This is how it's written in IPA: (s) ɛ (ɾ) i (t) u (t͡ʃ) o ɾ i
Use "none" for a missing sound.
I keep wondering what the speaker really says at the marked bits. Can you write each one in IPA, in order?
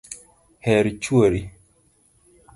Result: h, ɾ, t͡ʃ, none

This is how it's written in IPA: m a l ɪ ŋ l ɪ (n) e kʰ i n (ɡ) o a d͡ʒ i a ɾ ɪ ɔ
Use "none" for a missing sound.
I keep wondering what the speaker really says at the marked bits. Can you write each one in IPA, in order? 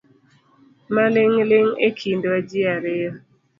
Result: ŋ, d

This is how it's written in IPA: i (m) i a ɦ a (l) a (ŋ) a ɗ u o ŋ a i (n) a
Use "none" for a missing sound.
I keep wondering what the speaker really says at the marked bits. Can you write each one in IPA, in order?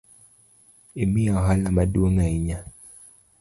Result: m, l, m, ɲ

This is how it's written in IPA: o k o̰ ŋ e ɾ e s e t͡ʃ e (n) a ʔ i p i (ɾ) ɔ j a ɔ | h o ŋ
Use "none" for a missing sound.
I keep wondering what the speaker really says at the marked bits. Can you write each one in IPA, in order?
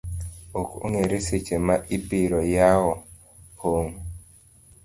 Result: m, ɾ

